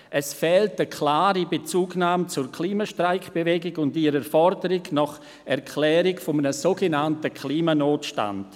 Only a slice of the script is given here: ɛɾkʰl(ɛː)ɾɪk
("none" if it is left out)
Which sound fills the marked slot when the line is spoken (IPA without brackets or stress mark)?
ɛː